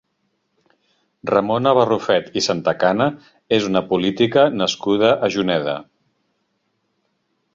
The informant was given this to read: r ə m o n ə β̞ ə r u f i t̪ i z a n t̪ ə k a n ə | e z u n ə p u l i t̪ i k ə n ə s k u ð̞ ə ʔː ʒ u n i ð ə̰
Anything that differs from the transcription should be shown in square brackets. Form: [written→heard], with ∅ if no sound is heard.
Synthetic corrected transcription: r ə m o n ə β̞ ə r u f [i→ɛ] t̪ i [z→s] a n t̪ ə k a n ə | e z u n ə p u l i t̪ i k ə n ə s k u ð̞ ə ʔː ʒ u n [i→ɛ] ð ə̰

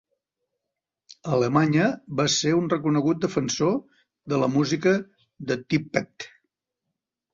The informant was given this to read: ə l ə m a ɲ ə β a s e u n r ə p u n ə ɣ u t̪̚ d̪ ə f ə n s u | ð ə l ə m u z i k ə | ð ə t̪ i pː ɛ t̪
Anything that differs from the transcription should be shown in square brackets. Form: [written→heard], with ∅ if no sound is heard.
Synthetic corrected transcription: ə l ə m a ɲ ə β a s e u n r ə [p→k] u n ə ɣ u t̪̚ d̪ ə f ə n s [u→o] | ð ə l ə m u z i k ə | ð ə t̪ i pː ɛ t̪

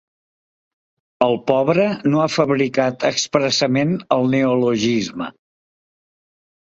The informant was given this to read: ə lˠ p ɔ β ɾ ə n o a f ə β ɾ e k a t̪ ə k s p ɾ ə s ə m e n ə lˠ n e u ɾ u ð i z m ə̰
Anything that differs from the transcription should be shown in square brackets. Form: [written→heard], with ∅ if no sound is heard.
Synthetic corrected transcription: ə lˠ p ɔ β ɾ ə n o a f ə β ɾ [e→i] k a t̪ ə k s p ɾ ə s ə m e n ə lˠ n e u [ɾ→l] u [ð→ʒ] i z m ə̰

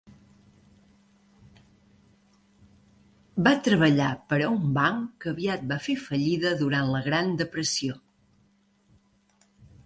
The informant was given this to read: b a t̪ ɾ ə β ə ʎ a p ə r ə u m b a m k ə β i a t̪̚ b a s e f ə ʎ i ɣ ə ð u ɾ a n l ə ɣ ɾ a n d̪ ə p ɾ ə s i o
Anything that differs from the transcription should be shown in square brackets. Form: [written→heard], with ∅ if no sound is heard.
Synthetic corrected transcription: b a t̪ ɾ ə β ə ʎ a p ə [r→ɾ] ə u m b a [m→ŋ] k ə β i a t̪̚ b a [s→f] e f ə ʎ i [ɣ→ð] ə ð u ɾ a n l ə ɣ ɾ a n d̪ ə p ɾ ə s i o

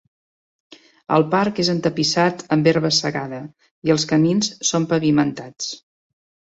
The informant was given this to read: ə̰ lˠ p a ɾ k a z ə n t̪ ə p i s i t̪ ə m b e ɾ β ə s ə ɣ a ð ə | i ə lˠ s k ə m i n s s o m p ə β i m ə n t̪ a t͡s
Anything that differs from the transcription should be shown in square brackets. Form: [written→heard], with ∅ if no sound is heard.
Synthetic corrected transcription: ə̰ lˠ p a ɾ k [a→e] z ə n t̪ ə p i s [i→a] t̪ ə m b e ɾ β ə s ə ɣ a ð ə | i ə lˠ s k ə m i n s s o m p ə β i m ə n t̪ a t͡s

